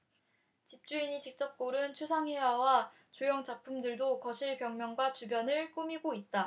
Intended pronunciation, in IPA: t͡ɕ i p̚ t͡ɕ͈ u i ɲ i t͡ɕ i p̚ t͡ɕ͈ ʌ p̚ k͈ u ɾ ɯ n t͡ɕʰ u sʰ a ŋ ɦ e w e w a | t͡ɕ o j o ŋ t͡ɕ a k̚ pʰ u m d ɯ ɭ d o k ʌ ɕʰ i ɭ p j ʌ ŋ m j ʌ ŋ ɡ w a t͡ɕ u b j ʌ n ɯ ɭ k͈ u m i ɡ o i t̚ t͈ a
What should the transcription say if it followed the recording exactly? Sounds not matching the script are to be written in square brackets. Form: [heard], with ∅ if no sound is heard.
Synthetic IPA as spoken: t͡ɕ i p̚ t͡ɕ͈ u i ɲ i t͡ɕ i [k̚] t͡ɕ͈ ʌ p̚ k͈ [o] ɾ ɯ n t͡ɕʰ u sʰ a ŋ ɦ e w [a] w a | t͡ɕ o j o ŋ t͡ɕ a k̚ pʰ u m d ɯ ɭ d o k ʌ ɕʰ i ɭ p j ʌ ŋ m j ʌ ŋ ɡ w a t͡ɕ u b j ʌ n ɯ ɭ k͈ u m i ɡ o i t̚ t͈ a